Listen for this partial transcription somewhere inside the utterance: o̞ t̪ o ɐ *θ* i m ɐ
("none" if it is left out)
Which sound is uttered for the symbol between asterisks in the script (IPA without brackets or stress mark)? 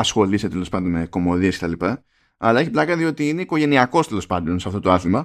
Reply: θ